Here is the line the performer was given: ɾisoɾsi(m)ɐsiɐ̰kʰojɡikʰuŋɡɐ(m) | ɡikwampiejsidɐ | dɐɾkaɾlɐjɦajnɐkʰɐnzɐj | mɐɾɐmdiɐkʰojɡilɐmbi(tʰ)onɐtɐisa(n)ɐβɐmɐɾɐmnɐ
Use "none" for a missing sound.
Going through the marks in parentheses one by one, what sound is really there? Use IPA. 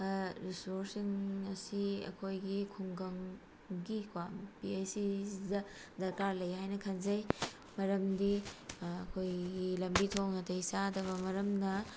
ŋ, ŋ, tʰ, d

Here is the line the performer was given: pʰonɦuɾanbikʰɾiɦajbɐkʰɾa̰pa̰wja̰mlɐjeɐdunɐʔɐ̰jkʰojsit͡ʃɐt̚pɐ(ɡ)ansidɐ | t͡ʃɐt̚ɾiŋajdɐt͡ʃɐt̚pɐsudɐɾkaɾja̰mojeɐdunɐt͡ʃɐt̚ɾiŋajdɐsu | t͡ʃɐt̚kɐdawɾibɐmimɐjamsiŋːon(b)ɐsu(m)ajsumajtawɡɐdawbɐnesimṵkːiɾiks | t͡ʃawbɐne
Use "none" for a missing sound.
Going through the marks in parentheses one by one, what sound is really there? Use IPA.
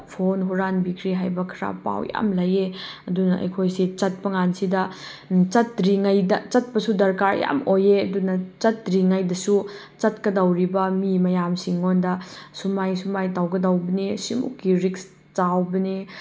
ŋ, d, m

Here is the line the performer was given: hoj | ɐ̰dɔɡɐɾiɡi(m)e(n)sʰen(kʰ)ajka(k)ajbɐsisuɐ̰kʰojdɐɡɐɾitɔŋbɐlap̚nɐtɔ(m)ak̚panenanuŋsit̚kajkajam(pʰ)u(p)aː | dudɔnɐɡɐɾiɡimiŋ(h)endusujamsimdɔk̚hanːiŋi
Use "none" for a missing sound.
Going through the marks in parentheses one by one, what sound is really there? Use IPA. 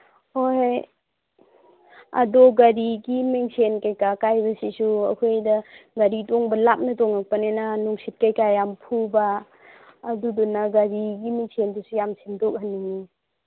m, ŋ, k, k, ŋ, pʰ, b, s

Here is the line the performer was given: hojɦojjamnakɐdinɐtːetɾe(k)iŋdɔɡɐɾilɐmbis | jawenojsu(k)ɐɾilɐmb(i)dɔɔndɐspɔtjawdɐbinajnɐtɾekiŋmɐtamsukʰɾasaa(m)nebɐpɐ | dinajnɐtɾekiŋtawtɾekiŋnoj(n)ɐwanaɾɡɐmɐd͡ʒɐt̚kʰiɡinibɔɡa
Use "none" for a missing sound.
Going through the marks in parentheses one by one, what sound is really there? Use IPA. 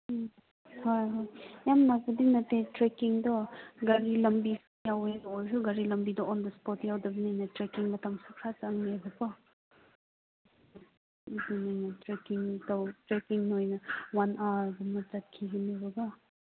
k, ɡ, i, ŋ, n

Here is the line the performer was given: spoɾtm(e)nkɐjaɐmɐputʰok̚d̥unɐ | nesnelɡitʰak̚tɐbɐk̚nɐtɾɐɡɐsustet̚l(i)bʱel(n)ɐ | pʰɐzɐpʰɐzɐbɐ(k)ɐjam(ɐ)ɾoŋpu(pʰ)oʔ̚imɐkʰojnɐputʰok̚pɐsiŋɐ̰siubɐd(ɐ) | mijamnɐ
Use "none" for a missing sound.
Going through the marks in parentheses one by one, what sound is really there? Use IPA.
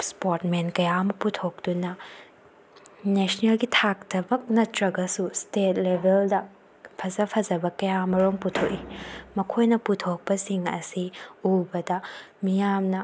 e, e, d, k, ɐ, tʰ, ɐ

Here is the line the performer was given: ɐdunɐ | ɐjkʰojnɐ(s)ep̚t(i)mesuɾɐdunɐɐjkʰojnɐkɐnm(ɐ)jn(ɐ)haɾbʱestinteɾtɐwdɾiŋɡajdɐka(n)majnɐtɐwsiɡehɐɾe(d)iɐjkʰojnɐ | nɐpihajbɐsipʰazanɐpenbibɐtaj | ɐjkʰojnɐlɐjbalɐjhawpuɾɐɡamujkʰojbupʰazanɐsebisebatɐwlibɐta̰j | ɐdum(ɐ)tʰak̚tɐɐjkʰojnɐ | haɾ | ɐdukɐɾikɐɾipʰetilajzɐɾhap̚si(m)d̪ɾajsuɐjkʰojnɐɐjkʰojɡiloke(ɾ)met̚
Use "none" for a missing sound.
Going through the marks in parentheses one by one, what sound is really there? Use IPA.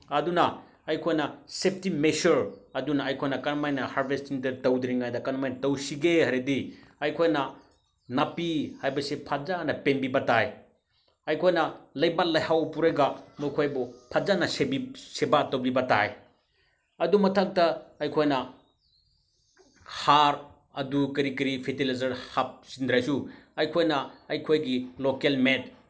s, i, a, ɐ, n, d, ɐ, n, l

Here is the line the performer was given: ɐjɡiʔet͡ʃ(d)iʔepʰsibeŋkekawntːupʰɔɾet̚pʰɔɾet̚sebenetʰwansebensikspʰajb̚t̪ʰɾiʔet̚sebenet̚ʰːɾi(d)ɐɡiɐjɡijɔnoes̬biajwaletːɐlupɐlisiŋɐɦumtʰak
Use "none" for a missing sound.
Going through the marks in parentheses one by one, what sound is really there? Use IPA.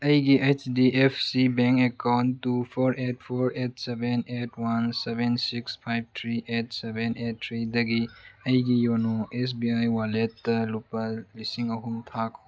d, d

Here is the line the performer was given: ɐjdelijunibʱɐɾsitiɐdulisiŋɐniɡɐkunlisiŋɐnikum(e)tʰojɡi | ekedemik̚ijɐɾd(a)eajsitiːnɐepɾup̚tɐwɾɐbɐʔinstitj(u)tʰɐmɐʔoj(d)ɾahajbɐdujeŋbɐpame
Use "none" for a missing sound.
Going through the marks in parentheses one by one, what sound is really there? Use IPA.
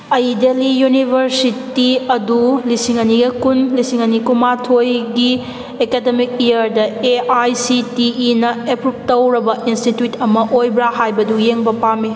a, ɐ, u, b

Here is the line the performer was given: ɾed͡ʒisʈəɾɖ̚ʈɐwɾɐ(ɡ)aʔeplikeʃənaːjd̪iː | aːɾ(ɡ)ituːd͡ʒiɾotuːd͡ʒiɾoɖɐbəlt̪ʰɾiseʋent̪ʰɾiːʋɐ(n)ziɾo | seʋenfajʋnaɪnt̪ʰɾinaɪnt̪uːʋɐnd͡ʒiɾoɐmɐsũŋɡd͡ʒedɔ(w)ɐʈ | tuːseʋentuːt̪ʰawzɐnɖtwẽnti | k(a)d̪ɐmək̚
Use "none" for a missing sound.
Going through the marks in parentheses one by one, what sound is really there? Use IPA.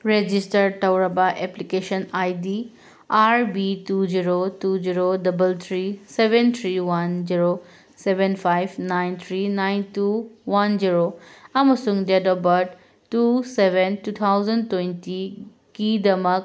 b, b, n, b, i

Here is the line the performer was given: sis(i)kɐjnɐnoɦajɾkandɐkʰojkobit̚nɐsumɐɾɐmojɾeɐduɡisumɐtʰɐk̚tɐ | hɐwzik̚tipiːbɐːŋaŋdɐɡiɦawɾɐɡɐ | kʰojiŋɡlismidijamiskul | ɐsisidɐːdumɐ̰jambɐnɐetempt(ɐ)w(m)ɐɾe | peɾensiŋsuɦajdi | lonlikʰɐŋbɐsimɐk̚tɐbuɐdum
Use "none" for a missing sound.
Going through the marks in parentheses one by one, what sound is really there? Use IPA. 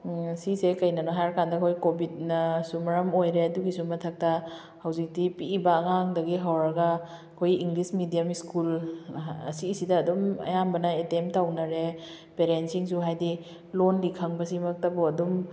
e, a, n

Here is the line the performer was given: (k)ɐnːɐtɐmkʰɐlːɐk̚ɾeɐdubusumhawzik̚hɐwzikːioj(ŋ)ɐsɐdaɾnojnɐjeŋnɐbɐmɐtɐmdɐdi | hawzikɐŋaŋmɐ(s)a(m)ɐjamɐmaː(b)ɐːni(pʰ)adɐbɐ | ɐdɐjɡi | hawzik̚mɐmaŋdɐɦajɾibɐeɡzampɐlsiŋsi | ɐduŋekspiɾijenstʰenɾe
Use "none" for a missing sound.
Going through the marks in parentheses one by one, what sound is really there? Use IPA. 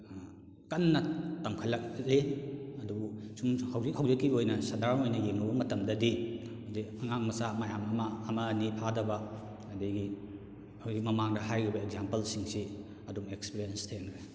k, n, s, m, m, pʰ

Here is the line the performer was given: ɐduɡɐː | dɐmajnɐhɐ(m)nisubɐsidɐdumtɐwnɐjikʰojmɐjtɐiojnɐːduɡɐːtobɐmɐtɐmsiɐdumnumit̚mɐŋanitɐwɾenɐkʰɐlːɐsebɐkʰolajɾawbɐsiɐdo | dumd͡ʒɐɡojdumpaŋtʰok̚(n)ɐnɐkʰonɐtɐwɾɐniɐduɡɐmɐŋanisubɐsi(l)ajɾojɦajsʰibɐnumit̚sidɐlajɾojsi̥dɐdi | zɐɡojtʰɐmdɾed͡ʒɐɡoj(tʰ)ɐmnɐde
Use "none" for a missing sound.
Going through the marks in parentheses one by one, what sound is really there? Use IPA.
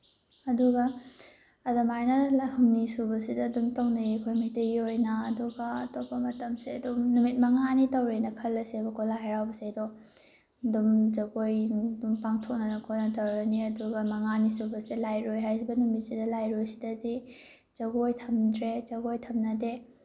m, n, l, tʰ

